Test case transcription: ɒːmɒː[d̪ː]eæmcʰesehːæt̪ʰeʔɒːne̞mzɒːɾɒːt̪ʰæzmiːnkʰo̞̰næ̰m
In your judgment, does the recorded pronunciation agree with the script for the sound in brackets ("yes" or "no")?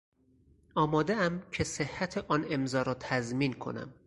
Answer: no